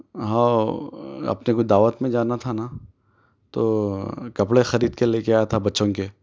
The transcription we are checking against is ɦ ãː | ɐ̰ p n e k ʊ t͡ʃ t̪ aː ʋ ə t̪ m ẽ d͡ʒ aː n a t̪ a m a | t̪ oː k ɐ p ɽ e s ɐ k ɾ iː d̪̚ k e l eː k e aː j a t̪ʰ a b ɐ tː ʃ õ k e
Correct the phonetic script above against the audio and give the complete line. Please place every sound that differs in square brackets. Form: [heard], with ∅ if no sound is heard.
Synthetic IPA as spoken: ɦ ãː | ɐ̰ p n e k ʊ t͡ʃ [d̪] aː ʋ ə t̪ m ẽ d͡ʒ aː n a [t̪ʰ] a [n] a | t̪ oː k ɐ p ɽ e [x] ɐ [∅] ɾ iː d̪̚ k e l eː k e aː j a t̪ʰ a b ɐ tː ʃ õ k e